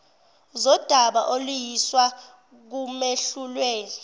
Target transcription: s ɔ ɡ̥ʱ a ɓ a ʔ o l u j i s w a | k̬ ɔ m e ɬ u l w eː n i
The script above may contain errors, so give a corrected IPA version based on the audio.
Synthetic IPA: z ɔ d̥ʱ a ɓ a ʔ o l u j i s w a | k̬ u m e ɬ u l w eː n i